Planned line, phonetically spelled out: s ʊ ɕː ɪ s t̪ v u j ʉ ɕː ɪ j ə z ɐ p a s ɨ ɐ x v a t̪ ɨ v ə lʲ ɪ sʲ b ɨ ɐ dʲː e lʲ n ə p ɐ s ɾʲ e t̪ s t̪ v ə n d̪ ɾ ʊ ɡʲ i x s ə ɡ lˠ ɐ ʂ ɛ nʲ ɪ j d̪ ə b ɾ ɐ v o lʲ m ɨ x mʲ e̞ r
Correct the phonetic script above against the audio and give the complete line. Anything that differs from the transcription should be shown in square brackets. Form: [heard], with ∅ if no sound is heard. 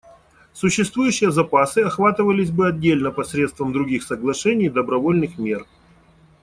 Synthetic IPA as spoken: s ʊ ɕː ɪ s t̪ v u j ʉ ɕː ɪ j ə z ɐ p a s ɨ ɐ x v a t̪ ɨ v ə lʲ ɪ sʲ b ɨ ɐ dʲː e lʲ n ə p ɐ s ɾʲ e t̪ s t̪ v ə [m] d̪ ɾ ʊ ɡʲ i x s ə ɡ lˠ ɐ ʂ ɛ nʲ ɪ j d̪ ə b ɾ ɐ v o lʲ [n] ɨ x mʲ e̞ r